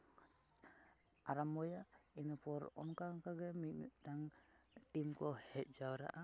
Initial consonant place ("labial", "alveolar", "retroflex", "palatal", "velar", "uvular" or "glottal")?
alveolar